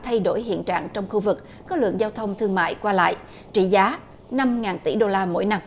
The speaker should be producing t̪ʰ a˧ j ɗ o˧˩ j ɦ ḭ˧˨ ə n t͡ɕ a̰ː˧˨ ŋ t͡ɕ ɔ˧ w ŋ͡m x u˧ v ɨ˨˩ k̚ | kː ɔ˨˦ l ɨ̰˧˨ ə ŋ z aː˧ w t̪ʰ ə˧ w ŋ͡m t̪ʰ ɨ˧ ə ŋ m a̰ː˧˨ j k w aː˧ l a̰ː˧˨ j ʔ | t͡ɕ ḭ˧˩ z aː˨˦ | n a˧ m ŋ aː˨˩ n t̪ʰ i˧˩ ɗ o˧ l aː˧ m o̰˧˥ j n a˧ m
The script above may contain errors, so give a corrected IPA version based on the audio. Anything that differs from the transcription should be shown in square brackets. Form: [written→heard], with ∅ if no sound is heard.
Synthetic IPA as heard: t̪ʰ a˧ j ɗ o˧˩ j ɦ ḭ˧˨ ə n t͡ɕ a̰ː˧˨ ŋ t͡ɕ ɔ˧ w ŋ͡m x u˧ v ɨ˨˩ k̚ | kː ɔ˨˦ l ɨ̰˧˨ ə ŋ z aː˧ w t̪ʰ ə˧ w ŋ͡m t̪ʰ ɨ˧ ə ŋ m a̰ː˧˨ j k w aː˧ l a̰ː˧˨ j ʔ | t͡ɕ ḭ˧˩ z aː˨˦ | n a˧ m ŋ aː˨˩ n [t̪ʰ→t̪] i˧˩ ɗ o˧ l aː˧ m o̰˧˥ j n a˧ m